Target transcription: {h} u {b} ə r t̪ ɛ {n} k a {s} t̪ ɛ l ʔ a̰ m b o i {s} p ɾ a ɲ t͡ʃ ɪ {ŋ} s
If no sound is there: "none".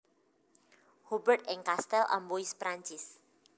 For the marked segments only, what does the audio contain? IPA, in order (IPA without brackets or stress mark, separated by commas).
h, b, ŋ, s, s, none